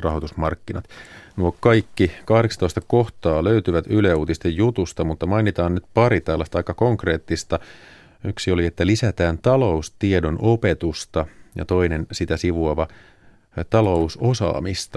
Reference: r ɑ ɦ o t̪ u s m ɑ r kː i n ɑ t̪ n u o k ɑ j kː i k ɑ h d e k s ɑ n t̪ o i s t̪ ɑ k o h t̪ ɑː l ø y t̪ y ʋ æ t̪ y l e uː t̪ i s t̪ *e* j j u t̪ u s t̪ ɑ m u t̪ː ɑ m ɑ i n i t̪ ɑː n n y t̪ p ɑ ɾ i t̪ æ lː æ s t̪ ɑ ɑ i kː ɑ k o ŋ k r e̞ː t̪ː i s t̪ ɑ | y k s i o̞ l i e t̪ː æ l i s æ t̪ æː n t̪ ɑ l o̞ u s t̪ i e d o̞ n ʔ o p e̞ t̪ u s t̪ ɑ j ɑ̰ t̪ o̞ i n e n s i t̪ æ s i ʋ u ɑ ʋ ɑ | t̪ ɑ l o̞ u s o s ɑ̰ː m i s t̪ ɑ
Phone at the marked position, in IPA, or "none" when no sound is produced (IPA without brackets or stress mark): e